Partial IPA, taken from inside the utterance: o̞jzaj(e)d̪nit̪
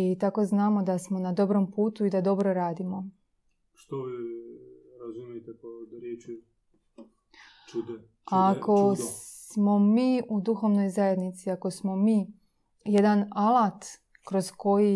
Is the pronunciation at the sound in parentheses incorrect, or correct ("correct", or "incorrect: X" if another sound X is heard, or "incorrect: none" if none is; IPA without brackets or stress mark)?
correct